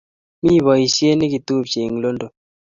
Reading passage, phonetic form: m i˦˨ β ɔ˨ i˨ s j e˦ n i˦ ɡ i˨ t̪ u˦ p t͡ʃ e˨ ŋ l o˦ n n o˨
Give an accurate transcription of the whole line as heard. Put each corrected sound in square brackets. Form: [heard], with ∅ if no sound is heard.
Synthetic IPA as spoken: m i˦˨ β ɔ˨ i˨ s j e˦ n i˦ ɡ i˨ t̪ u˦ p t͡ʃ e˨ ŋ l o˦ n [d] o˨